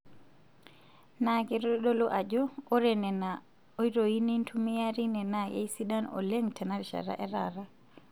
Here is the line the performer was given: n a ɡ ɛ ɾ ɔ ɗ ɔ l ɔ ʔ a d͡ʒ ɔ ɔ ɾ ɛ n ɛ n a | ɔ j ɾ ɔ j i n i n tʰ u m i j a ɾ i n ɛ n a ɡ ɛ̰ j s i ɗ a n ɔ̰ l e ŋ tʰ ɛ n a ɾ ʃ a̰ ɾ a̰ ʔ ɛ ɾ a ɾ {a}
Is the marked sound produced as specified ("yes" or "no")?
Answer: yes